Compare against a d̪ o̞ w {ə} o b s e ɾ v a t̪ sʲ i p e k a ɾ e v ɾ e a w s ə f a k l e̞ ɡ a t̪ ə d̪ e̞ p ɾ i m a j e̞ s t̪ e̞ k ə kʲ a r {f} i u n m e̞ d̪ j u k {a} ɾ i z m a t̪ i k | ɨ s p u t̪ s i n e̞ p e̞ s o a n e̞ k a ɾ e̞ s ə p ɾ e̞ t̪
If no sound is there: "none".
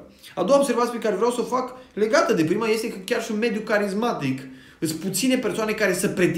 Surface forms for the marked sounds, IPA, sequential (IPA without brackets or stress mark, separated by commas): a, ʃ, a